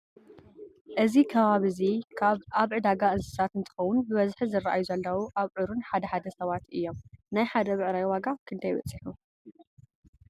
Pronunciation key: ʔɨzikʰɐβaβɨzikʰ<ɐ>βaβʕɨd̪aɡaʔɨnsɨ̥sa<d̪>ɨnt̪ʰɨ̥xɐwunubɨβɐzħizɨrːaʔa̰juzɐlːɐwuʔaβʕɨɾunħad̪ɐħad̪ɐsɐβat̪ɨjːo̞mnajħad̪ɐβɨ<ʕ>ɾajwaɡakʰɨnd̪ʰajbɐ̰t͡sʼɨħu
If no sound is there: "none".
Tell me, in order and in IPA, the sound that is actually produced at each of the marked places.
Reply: a, t̪, ʕ

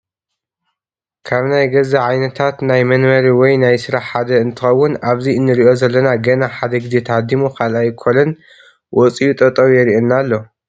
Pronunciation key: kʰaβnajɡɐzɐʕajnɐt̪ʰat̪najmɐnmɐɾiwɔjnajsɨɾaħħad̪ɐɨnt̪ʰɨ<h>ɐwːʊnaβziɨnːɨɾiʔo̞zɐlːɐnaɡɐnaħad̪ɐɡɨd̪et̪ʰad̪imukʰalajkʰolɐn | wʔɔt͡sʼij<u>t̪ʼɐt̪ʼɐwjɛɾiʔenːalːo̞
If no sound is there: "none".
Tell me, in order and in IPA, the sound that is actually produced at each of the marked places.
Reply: x, u

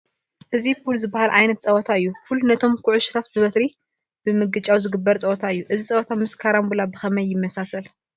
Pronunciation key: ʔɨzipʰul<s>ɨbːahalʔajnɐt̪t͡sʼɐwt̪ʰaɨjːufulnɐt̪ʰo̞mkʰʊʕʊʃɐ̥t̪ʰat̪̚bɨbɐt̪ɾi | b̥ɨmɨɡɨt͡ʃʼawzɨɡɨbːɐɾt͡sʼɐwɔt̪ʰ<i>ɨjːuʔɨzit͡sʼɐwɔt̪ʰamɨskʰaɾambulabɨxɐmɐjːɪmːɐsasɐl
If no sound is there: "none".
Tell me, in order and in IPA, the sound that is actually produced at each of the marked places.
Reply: z, a

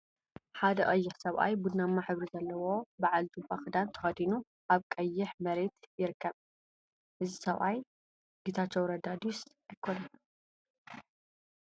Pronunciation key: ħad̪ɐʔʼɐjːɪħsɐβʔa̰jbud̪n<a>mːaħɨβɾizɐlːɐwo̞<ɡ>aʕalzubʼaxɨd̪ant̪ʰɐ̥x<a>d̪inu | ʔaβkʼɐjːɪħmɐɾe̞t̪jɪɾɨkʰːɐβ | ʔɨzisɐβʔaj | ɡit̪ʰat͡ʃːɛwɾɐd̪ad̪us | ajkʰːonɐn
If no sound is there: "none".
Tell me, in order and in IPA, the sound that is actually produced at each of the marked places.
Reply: a, b, ɐ

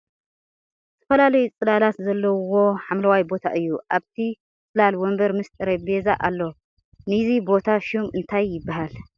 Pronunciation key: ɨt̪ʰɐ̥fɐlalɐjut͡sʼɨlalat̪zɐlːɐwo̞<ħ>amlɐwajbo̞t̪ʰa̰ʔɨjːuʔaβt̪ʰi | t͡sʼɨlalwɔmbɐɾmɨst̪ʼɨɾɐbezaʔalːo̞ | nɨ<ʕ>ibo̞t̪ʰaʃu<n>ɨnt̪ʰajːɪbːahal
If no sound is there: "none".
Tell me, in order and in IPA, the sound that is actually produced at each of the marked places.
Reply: ħ, z, m

